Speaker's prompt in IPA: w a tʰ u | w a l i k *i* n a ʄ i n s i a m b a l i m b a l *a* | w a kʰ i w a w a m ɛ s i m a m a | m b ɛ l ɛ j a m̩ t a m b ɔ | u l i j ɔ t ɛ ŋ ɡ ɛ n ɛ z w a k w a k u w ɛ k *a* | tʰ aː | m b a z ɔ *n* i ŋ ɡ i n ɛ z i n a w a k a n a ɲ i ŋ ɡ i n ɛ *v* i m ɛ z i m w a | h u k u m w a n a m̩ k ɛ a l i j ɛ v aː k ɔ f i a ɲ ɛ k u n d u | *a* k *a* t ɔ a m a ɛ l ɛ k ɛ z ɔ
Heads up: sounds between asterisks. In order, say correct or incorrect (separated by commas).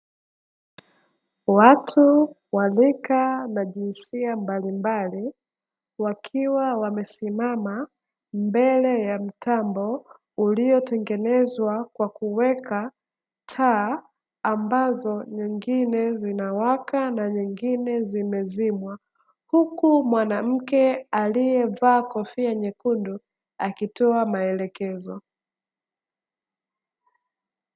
incorrect, incorrect, correct, incorrect, incorrect, correct, incorrect